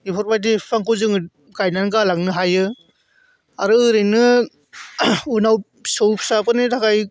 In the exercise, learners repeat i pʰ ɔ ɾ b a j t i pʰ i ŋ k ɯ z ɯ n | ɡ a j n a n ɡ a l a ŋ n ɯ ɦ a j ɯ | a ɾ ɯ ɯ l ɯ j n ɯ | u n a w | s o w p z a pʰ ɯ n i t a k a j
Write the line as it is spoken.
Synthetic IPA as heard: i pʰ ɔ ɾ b a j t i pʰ a ŋ k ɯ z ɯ ŋ | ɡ a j n a n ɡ a l a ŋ n ɯ ɦ a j ɯ | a ɾ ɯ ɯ ɾ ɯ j n ɯ | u n a w | s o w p s a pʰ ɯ n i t a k a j